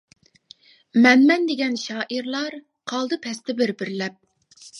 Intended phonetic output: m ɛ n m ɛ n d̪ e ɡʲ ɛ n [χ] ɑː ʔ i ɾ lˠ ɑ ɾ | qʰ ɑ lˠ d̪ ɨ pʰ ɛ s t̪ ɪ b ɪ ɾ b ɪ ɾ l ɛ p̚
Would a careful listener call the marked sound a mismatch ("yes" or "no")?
yes